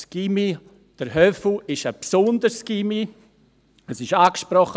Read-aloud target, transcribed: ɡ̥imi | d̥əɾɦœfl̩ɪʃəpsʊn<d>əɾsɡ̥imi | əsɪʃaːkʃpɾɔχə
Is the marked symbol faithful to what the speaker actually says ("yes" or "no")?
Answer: yes